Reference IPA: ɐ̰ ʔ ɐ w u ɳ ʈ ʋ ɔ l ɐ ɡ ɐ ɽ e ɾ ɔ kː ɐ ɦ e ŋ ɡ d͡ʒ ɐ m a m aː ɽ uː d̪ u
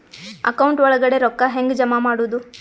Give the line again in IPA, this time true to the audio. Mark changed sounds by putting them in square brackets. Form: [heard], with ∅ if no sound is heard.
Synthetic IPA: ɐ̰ [k] ɐ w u ɳ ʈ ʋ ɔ [ɭ] ɐ ɡ ɐ ɽ e ɾ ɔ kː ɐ ɦ e ŋ ɡ d͡ʒ ɐ m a m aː ɽ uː d̪ u